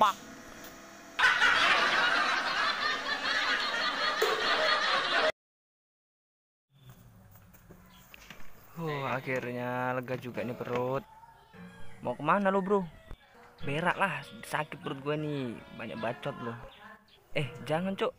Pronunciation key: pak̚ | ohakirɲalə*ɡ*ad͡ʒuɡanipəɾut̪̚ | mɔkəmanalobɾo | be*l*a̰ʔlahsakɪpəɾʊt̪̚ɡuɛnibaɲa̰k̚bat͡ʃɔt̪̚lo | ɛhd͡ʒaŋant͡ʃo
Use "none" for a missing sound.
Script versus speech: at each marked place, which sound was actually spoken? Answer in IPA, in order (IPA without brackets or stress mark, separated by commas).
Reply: ɡ, ɾ